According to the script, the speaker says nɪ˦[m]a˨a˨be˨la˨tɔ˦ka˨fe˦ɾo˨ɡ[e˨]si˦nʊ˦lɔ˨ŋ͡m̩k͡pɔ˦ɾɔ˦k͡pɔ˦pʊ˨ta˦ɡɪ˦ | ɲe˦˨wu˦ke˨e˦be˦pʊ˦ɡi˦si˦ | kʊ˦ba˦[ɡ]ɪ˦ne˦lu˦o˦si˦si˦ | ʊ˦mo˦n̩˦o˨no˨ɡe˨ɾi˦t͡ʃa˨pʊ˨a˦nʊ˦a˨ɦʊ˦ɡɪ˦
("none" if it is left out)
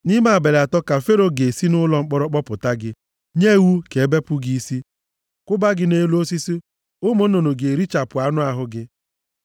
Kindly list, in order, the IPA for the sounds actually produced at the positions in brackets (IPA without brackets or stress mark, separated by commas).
m, e˨, ɡ